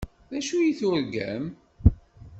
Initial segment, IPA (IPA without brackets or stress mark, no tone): ð